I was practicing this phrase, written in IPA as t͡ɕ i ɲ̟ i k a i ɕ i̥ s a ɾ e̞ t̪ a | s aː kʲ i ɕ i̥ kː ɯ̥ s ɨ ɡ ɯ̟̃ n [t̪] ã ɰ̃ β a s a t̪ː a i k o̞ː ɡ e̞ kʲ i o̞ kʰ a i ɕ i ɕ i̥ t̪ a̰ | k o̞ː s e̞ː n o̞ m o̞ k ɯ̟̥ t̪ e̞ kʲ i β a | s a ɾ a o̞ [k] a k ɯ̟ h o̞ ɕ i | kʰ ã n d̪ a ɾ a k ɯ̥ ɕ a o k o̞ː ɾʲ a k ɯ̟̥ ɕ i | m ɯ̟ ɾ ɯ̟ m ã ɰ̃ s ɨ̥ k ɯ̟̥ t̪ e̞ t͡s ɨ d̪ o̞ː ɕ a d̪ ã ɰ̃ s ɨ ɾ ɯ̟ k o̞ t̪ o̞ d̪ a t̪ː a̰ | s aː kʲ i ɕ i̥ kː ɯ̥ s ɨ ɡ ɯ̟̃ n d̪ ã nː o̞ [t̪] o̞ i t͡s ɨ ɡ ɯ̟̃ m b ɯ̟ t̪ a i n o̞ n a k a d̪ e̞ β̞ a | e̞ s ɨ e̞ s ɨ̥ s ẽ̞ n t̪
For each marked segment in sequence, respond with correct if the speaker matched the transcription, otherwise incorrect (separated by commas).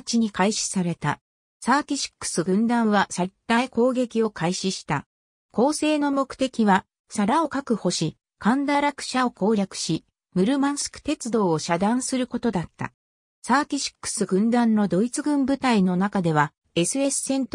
incorrect, correct, incorrect